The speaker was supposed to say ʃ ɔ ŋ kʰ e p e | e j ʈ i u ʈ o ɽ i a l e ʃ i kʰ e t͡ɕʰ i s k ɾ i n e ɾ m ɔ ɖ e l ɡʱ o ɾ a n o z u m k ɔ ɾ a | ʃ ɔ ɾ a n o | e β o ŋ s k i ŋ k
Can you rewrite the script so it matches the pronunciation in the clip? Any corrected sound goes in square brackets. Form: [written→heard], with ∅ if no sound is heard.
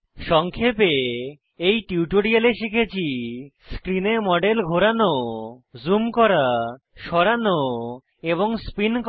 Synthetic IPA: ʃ ɔ ŋ kʰ e p e | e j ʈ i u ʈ o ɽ i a l e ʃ i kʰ e t͡ɕʰ i s k ɾ i n e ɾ m ɔ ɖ e l ɡʱ o ɾ a n o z u m k ɔ ɾ a | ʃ ɔ ɾ a n o | e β o ŋ s [k→p] i [ŋ→n] k

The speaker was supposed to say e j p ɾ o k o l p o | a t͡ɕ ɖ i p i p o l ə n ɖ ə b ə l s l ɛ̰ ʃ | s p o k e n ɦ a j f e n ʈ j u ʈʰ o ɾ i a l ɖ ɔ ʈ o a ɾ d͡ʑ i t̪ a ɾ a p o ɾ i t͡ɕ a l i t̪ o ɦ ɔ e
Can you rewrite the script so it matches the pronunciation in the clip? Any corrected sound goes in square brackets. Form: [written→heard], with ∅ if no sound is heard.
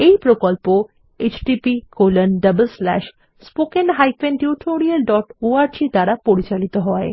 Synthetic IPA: e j p ɾ o k o l p o | [a→e] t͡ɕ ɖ i p i [p→k] o l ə n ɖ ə b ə l s l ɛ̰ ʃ | s p o k e n ɦ a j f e n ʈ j u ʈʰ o ɾ i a l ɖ ɔ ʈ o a ɾ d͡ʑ i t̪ a ɾ a p o ɾ i t͡ɕ a l i t̪ o ɦ ɔ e

